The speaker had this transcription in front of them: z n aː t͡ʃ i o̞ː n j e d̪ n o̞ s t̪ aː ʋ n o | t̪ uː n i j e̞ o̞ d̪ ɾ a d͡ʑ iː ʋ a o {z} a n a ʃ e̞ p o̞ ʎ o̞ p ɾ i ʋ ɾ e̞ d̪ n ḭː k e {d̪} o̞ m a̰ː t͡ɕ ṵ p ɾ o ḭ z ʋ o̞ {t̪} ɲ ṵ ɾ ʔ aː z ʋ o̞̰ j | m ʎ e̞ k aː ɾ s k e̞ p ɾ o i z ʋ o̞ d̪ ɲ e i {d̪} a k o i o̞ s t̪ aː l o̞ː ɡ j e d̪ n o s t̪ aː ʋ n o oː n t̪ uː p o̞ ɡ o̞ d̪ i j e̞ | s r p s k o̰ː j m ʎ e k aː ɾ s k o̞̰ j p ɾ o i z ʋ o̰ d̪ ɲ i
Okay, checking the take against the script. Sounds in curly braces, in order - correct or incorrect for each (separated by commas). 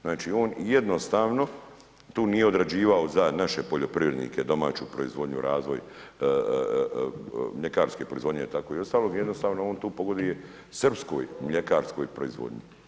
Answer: correct, correct, incorrect, incorrect